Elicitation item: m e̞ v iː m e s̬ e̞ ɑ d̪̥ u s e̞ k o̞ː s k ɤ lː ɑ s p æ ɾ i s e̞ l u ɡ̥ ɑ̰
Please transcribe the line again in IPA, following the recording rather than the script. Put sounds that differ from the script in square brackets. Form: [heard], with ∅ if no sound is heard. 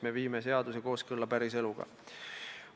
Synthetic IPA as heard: m e̞ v iː m e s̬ e̞ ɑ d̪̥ u s e̞ k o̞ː s k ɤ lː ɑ [∅] p æ ɾ i s e̞ l u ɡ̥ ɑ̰